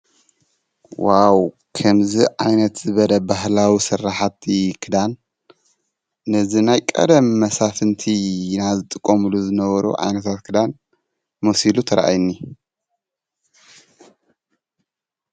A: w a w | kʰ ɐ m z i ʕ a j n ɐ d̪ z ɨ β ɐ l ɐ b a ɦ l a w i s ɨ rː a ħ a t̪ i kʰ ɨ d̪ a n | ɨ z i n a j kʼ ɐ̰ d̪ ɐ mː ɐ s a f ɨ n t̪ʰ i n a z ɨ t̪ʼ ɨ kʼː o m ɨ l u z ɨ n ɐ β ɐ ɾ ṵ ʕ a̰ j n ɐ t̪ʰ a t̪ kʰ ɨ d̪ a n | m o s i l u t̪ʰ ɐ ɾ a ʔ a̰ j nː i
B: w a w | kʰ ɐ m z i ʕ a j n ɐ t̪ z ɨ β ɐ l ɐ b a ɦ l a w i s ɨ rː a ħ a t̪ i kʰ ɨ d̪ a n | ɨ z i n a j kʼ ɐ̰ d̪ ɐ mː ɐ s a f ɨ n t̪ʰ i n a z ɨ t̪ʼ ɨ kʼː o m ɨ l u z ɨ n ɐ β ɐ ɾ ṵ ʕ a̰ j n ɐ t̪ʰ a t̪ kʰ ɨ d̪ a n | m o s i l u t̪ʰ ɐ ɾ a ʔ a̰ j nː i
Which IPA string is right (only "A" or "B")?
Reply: B